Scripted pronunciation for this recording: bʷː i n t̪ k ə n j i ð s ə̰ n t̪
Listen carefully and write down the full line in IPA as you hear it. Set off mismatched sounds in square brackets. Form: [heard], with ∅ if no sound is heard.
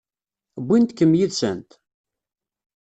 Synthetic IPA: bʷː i n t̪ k ə [m] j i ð s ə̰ n t̪